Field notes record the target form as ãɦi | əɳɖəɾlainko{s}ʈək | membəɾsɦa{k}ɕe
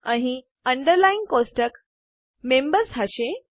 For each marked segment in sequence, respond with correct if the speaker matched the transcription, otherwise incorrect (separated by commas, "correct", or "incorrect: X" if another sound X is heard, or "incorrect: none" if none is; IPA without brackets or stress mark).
correct, incorrect: none